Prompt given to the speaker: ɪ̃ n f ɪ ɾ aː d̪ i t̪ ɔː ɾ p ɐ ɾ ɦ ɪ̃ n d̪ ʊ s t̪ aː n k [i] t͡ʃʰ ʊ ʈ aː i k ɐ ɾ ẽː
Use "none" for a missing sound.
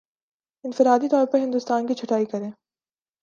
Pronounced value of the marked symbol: i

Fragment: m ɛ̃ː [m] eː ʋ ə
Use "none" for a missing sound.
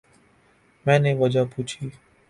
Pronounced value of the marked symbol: n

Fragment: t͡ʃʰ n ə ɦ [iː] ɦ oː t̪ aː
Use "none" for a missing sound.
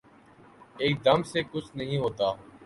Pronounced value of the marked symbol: ĩː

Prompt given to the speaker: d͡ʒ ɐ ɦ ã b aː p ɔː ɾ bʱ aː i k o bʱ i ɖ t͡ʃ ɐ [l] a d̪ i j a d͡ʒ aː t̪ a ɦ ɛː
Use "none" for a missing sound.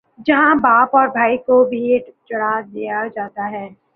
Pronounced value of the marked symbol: ɽ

